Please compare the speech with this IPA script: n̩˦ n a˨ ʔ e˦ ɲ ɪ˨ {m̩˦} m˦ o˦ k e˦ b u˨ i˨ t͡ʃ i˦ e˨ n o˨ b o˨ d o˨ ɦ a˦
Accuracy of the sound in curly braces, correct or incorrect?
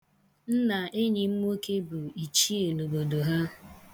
correct